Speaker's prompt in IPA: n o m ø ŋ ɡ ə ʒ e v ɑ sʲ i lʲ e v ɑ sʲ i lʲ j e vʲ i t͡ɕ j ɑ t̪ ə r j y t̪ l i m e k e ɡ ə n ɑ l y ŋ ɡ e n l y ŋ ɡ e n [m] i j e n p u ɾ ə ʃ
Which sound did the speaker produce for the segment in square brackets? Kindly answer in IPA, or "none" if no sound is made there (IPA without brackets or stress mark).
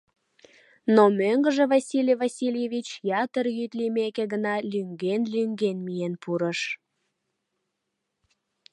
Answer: m